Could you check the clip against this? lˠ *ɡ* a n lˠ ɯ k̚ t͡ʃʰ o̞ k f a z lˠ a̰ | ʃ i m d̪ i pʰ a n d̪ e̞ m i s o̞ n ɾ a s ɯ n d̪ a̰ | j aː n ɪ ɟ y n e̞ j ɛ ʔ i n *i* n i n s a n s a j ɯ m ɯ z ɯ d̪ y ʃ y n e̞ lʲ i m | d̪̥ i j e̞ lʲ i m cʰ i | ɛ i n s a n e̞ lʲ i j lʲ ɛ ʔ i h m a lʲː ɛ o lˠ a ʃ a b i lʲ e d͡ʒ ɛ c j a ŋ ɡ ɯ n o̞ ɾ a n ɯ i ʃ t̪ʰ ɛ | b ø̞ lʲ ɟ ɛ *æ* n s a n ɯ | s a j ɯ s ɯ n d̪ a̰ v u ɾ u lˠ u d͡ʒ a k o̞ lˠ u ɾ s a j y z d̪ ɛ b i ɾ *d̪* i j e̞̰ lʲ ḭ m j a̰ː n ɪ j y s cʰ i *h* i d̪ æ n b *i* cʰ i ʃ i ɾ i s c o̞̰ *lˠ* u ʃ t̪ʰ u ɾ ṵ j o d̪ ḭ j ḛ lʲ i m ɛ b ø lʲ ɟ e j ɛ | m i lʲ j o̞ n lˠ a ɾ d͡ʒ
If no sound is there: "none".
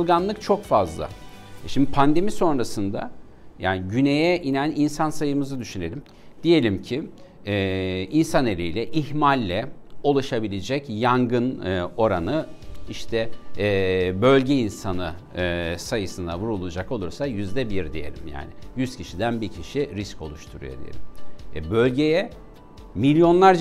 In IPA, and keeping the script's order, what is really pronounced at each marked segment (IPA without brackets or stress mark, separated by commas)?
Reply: ɡ, æ, i, d̪, ʃ, i, lˠ